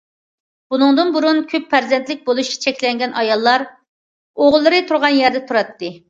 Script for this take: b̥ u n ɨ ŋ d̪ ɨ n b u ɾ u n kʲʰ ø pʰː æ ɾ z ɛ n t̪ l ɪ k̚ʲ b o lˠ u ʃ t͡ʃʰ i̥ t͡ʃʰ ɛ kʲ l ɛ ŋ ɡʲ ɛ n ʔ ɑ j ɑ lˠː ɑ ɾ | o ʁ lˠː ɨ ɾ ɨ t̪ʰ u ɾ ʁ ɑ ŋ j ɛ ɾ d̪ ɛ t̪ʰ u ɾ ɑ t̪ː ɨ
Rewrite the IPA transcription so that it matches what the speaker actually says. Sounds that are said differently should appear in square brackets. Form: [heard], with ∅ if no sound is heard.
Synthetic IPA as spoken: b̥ u n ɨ ŋ d̪ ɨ n b u ɾ u n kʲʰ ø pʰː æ ɾ z ɛ n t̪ l ɪ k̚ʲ b o lˠ u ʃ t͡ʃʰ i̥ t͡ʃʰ ɛ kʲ l ɛ ŋ ɡʲ ɛ n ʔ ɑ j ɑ lˠː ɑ ɾ | o ʁ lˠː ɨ ɾ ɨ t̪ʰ u ɾ ʁ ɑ [n] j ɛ ɾ d̪ ɛ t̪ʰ u ɾ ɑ t̪ː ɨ

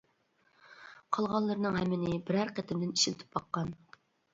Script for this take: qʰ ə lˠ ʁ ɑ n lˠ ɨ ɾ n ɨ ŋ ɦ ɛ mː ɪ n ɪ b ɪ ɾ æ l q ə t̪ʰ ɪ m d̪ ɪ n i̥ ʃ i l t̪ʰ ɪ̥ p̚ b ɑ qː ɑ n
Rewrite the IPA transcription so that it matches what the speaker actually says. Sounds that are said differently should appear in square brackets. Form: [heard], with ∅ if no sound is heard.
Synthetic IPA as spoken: qʰ [ɑ] lˠ ʁ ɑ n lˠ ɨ ɾ n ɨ ŋ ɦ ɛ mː ɪ n ɪ b ɪ ɾ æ [ɾ] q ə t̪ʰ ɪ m d̪ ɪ n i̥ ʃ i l t̪ʰ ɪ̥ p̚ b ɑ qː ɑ n

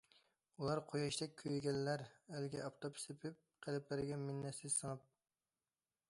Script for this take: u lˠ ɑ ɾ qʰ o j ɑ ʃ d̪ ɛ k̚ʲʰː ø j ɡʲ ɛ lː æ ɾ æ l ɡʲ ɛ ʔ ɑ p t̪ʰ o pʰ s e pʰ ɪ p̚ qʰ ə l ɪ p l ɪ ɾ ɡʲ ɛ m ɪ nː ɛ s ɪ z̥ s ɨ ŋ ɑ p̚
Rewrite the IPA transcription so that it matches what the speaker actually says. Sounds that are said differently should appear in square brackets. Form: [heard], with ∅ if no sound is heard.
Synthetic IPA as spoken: u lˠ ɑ ɾ qʰ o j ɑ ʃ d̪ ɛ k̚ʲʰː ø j ɡʲ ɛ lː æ ɾ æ l ɡʲ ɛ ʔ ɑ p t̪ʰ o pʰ s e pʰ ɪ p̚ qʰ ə l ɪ p l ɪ ɾ ɡʲ ɛ m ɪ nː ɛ s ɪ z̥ s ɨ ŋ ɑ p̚

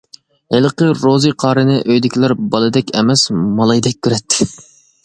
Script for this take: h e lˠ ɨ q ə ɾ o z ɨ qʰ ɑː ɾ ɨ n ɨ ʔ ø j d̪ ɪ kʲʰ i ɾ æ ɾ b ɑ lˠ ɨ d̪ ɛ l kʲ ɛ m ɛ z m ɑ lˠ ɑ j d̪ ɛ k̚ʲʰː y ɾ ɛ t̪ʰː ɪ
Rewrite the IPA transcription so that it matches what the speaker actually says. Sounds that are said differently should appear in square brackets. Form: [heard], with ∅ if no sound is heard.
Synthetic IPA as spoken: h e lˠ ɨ q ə ɾ o z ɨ qʰ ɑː ɾ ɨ n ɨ ʔ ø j d̪ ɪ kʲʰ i [l] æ ɾ b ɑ lˠ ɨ d̪ ɛ [∅] kʲ ɛ m ɛ [s] m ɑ lˠ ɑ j d̪ ɛ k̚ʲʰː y ɾ ɛ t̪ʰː ɪ

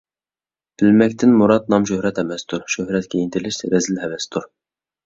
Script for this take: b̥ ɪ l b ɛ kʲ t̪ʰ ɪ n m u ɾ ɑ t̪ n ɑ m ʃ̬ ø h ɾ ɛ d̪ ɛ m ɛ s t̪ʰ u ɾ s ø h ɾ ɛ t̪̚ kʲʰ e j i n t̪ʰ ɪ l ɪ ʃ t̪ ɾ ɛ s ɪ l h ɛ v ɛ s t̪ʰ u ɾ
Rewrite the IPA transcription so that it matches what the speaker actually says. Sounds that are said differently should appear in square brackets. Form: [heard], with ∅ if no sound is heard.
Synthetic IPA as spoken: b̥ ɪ l [m] ɛ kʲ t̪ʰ ɪ n m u ɾ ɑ t̪ n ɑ m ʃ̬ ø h ɾ ɛ [t̪] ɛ m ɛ s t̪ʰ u ɾ [ʃ] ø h ɾ ɛ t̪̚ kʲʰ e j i n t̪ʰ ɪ l ɪ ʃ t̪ ɾ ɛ [z] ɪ l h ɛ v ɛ s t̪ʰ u ɾ

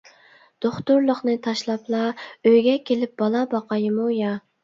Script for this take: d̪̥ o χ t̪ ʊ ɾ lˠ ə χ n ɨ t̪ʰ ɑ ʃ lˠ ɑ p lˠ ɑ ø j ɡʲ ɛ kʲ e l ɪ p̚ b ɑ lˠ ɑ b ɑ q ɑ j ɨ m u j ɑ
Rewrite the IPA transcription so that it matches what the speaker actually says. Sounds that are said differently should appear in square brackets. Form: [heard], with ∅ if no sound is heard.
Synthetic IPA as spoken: d̪̥ o χ t̪ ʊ ɾ lˠ ə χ n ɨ t̪ʰ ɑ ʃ lˠ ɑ p lˠ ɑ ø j ɡʲ ɛ kʲ e l ɪ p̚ b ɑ lˠ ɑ b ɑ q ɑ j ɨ m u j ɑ

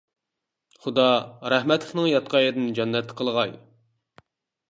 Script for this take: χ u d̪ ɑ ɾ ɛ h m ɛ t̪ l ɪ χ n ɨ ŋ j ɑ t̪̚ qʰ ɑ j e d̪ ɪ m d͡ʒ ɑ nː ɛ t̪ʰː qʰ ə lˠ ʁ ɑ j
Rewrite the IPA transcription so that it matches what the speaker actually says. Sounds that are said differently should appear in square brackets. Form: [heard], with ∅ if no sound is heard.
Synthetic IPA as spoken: χ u d̪ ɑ ɾ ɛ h m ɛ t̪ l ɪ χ n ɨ ŋ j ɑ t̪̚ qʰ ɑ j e d̪ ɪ [n] d͡ʒ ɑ nː ɛ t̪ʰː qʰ ə lˠ ʁ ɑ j

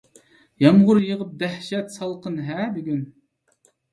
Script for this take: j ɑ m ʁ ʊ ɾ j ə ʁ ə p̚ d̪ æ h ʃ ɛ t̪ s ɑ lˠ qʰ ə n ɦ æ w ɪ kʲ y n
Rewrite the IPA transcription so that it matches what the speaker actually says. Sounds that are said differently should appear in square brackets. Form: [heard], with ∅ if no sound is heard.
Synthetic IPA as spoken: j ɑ m ʁ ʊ ɾ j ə ʁ ə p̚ d̪ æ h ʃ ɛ t̪ s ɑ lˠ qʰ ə n ɦ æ [b] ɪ [ɡʲ] y n

